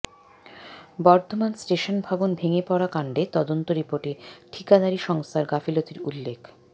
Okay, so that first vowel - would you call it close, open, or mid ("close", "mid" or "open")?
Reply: mid